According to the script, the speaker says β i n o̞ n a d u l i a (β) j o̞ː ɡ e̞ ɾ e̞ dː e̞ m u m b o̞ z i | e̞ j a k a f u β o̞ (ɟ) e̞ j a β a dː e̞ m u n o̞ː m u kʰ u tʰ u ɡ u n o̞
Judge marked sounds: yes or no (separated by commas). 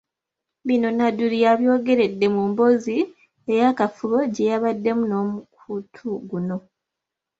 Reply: yes, yes